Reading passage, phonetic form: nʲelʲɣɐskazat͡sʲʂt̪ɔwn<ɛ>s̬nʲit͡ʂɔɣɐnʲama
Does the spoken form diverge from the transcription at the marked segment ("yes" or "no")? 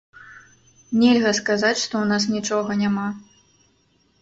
yes